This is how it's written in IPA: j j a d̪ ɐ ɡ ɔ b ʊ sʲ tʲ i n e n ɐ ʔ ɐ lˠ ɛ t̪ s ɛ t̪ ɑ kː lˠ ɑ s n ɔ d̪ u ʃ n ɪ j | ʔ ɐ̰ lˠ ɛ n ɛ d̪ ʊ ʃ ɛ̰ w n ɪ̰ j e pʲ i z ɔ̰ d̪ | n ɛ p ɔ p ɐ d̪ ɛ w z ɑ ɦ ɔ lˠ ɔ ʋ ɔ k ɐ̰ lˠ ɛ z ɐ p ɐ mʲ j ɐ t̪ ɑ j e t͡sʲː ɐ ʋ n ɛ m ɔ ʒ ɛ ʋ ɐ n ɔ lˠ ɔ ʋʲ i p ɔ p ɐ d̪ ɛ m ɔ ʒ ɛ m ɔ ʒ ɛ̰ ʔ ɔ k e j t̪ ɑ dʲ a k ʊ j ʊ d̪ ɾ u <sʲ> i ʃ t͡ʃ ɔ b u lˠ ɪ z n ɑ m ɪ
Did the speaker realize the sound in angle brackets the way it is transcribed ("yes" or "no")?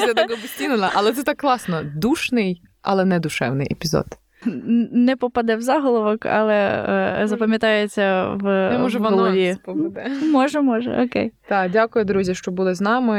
no